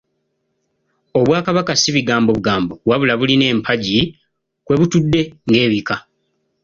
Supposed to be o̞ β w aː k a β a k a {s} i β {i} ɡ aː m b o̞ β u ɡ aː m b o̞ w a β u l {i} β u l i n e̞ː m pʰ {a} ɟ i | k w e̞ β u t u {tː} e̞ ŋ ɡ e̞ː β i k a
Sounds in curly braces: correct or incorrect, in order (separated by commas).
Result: correct, correct, incorrect, correct, incorrect